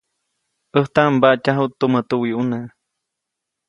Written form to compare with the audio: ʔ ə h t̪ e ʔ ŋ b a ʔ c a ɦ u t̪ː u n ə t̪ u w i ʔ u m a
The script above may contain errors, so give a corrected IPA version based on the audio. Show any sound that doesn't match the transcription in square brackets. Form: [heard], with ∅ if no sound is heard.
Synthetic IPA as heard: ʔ ə h t̪ [a] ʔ [m] b a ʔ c a ɦ u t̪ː u [m] ə t̪ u w i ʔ u [n] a